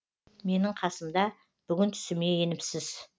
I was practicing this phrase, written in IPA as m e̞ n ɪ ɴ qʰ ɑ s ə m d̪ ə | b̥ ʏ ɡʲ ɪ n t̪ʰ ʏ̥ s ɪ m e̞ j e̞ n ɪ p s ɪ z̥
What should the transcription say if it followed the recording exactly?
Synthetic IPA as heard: m e̞ n ɪ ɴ qʰ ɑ s ə m d̪ ɑ | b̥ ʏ ɡʲ ɪ n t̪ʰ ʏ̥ s ɪ m e̞ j e̞ n ɪ p s ɪ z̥